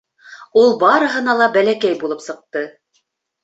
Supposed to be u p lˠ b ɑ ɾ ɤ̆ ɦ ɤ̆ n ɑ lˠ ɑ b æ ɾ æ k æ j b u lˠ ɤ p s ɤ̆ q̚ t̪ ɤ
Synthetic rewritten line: u lˠ b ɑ ɾ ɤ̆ ɦ ɤ̆ n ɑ lˠ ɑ b æ l æ k æ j b u lˠ ɤ p s ɤ̆ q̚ t̪ ɤ